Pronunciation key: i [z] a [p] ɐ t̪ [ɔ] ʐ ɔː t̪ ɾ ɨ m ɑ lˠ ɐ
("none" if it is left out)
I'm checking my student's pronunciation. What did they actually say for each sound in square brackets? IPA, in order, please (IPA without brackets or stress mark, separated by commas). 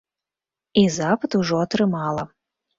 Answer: z, p, u